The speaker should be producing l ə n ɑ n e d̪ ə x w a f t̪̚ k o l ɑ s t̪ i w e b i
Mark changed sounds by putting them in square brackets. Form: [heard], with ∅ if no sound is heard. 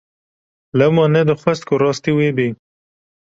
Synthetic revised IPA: l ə [m] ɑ n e d̪ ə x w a [s] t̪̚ k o [ɾ] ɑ s t̪ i w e b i